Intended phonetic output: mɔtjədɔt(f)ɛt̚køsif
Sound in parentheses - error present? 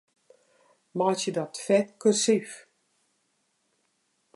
no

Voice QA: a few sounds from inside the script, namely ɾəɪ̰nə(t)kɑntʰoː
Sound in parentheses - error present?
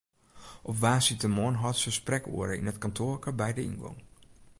no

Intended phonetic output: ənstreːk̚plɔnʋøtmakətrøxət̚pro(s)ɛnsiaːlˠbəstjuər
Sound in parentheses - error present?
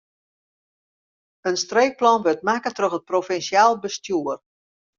yes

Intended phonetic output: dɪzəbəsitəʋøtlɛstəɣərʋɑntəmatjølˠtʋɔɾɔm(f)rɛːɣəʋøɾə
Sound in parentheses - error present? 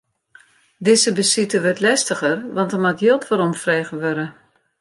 no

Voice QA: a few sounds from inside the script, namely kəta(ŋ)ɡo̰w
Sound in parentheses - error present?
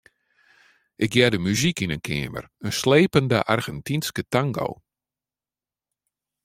no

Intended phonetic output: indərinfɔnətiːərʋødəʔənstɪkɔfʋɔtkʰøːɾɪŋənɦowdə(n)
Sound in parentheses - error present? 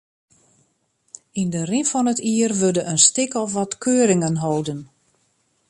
no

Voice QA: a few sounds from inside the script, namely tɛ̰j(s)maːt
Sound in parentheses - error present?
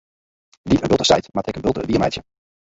yes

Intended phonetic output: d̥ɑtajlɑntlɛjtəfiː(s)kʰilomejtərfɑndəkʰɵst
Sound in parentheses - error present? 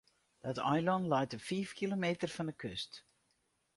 yes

